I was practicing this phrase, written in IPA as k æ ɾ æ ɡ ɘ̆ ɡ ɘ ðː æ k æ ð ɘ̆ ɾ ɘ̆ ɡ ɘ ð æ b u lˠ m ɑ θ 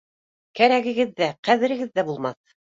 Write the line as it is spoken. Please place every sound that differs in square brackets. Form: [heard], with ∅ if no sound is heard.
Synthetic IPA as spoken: k æ ɾ æ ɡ ɘ̆ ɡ ɘ ðː æ [q] æ ð ɘ̆ ɾ ɘ̆ ɡ ɘ [ðː] æ b u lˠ m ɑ θ